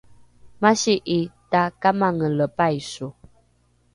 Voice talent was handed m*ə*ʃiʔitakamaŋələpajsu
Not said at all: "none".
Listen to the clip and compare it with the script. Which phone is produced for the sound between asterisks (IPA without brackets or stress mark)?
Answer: a